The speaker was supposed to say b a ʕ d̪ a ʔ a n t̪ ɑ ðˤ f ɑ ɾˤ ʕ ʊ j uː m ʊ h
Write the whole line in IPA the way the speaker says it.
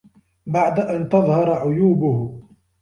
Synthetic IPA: b a ʕ d̪ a ʔ a n t̪ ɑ ðˤ h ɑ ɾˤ ʕ ʊ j uː b ʊ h